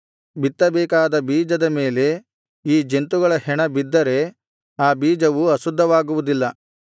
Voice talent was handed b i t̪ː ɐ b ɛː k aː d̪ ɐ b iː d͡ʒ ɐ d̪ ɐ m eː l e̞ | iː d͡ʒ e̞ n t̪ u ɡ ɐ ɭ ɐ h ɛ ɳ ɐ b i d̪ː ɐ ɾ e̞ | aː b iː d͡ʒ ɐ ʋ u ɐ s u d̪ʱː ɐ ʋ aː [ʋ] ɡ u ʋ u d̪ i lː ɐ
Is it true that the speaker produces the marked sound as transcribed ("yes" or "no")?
no